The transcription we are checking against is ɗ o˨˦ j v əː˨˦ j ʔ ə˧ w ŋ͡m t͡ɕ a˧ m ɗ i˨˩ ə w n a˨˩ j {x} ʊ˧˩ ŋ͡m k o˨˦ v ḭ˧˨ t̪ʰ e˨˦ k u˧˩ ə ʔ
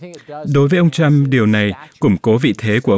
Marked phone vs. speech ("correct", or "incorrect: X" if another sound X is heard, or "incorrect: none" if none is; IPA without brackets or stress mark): incorrect: k